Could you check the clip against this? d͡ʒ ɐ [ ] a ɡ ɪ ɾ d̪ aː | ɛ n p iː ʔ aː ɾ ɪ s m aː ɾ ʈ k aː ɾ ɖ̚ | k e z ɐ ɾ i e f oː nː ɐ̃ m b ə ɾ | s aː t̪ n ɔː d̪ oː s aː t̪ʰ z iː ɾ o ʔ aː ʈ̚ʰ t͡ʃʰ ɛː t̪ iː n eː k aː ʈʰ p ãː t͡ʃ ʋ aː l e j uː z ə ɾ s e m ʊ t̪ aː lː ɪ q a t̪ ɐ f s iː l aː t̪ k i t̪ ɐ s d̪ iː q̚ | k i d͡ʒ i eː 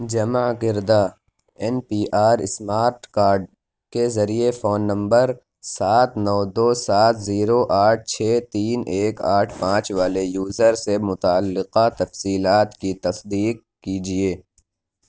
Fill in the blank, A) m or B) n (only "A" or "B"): A